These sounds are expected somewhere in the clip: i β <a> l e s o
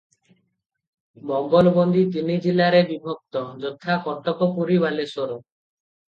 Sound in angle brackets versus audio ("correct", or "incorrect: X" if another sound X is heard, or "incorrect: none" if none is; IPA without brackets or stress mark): correct